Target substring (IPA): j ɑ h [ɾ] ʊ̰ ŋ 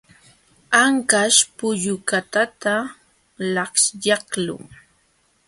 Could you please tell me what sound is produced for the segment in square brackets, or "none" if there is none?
l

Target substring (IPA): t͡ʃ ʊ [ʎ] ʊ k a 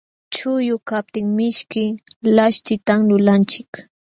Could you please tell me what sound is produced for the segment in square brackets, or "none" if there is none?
j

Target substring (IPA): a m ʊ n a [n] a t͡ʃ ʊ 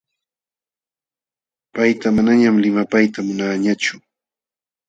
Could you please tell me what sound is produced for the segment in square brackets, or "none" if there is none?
ɲ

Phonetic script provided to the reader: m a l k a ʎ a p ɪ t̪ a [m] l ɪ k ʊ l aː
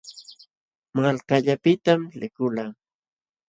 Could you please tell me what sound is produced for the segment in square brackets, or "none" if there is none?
m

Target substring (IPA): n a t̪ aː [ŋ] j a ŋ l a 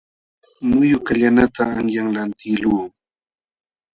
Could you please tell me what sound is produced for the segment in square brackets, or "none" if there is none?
ŋ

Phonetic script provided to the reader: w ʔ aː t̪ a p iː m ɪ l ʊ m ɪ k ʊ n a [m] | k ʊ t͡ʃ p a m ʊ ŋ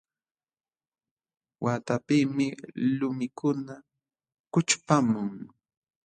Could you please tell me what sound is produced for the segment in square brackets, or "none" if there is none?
none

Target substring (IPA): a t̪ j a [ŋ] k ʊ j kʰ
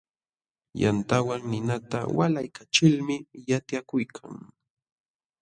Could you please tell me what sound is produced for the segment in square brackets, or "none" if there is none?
none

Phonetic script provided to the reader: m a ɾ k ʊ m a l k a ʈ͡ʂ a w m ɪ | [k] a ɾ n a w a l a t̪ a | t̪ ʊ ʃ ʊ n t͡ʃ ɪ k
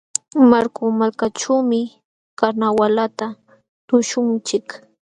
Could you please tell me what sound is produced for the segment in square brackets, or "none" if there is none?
k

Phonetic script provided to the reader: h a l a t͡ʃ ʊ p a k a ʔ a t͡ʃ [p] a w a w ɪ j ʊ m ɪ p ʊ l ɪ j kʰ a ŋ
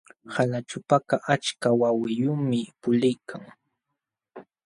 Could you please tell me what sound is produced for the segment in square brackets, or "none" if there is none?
k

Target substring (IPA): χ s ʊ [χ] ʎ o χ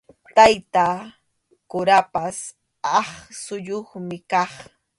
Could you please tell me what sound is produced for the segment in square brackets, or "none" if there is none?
none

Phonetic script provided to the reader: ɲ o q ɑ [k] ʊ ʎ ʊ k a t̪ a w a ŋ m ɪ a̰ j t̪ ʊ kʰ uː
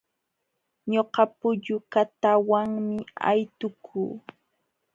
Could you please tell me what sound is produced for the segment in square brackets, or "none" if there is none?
p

